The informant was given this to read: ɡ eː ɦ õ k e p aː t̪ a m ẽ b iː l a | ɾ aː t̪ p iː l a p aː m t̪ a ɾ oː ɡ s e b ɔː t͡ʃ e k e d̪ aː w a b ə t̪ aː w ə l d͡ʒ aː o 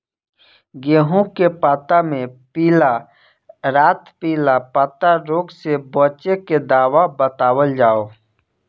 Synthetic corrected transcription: ɡ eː ɦ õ k e p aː t̪ a m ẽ p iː l a | ɾ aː t̪ p iː l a p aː t̪ a ɾ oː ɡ s e b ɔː t͡ʃ e k e d̪ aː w a b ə t̪ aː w ə l d͡ʒ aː o

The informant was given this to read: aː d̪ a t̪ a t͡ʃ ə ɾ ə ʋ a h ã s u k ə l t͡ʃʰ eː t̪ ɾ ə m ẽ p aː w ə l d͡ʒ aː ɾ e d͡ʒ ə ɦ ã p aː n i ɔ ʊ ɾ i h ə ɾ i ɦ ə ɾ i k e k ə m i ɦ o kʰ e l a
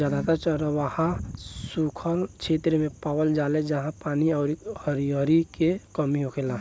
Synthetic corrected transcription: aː d̪ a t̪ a t͡ʃ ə ɾ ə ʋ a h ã s u kʰ ə l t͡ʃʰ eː t̪ ɾ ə m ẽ p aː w ə l d͡ʒ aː l e d͡ʒ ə ɦ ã p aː n i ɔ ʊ ɾ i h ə ɾ i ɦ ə ɾ i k e k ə m i ɦ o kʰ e l a

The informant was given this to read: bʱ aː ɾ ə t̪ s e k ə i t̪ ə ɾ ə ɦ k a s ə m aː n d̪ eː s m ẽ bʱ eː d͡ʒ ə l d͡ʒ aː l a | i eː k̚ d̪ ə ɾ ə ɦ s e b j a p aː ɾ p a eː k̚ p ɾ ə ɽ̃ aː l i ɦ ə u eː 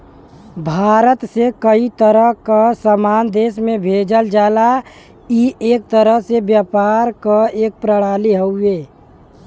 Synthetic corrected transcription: bʱ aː ɾ ə t̪ s e k ə i t̪ ə ɾ ə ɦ k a s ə m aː n d̪ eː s m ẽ bʱ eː d͡ʒ ə l d͡ʒ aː l a | i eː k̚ t̪ ə ɾ ə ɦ s e b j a p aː ɾ k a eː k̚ p ɾ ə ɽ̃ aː l i ɦ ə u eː

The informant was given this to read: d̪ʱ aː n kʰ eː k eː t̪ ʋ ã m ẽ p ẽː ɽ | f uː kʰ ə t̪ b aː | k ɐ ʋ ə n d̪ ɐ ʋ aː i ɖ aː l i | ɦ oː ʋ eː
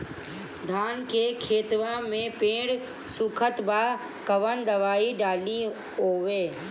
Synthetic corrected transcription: d̪ʱ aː n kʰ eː kʰ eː t̪ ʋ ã m ẽ p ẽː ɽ | s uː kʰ ə t̪ b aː | k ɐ ʋ ə n d̪ ɐ ʋ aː i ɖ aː l i | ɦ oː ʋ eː

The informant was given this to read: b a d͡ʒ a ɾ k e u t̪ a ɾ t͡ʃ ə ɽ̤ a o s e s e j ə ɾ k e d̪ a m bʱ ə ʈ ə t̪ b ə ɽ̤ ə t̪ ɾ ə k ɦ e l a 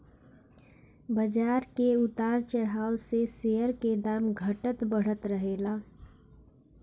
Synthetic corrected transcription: b ə d͡ʒ a ɾ k e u t̪ a ɾ t͡ʃ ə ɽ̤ a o s e s e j ə ɾ k e d̪ a m ɡʱ ə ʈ ə t̪ b ə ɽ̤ ə t̪ ɾ ə ɦ e l a

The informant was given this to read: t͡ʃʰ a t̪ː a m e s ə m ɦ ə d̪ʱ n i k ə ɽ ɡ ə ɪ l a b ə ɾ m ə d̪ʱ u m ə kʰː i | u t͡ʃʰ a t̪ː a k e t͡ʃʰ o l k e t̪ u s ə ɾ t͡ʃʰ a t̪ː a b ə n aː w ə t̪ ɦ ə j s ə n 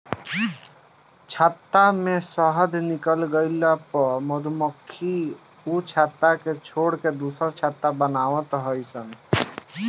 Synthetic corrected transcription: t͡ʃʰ a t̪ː a m e s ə ɦ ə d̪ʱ n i k ə l ɡ ə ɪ l a p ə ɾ m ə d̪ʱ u m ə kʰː i | u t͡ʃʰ a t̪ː a k e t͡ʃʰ o ɽ k e d̪ u s ə ɾ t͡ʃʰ a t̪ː a b ə n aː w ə t̪ ɦ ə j s ə n

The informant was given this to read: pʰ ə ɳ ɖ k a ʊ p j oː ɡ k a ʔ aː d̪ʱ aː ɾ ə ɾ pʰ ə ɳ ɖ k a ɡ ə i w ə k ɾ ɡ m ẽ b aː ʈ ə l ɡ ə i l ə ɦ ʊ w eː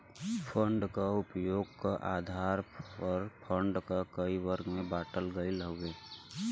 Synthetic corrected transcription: pʰ ə ɳ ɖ k a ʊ p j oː ɡ k a ʔ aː d̪ʱ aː ɾ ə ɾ pʰ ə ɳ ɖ k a k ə i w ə ɾ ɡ m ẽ b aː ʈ ə l ɡ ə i l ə ɦ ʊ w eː

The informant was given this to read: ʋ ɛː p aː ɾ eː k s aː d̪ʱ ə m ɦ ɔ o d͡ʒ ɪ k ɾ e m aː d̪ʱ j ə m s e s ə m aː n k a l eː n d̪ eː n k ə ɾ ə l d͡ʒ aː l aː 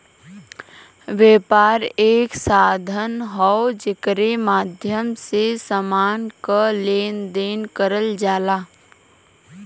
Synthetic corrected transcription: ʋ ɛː p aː ɾ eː k s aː d̪ʱ ə n ɦ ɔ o d͡ʒ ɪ k ɾ e m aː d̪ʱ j ə m s e s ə m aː n k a l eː n d̪ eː n k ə ɾ ə l d͡ʒ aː l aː

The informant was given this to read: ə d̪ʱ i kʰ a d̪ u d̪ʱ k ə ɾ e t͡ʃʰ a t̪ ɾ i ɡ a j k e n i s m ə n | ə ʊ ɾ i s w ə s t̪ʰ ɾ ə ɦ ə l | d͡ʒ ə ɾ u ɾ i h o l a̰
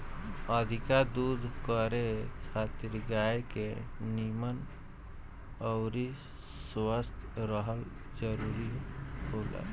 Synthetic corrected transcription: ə d̪ʱ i k a d̪ u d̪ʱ k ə ɾ e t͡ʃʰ a t̪ ɾ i ɡ a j k e n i m ə n | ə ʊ ɾ i s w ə s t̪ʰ ɾ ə ɦ ə l | d͡ʒ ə ɾ u ɾ i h o l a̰

